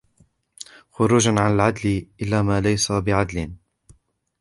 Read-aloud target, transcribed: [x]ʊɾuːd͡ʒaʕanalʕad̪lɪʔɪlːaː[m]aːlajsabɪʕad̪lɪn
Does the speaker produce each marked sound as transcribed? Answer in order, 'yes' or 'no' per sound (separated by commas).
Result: yes, yes